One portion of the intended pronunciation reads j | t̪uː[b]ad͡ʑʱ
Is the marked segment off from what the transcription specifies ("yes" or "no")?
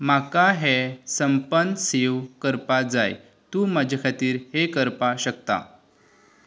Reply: yes